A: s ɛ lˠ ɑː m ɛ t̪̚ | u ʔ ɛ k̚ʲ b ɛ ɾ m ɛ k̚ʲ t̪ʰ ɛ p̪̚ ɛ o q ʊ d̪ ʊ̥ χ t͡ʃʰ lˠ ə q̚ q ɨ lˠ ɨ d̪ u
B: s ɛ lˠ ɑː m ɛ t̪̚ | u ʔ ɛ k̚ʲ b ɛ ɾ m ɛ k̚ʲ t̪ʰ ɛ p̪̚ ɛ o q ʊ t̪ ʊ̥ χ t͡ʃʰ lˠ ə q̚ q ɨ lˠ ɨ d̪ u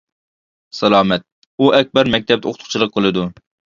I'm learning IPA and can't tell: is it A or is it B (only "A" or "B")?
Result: B